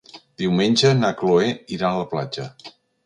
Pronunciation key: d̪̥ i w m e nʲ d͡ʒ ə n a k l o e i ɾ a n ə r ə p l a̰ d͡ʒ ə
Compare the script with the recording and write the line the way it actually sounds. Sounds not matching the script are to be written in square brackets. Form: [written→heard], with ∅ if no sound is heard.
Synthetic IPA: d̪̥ i w m e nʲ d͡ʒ ə n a k l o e i ɾ a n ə [r→l] ə p l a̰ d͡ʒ ə